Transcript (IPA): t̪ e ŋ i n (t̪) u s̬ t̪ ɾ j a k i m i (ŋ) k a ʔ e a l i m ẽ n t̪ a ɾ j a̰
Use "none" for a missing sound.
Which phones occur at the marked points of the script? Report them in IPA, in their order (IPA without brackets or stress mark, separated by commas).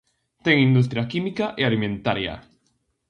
d̪, none